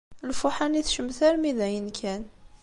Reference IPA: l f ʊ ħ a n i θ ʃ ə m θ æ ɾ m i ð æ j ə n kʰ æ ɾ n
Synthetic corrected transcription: l f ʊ ħ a n i θ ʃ ə m θ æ ɾ m i ð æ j ə n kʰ æ n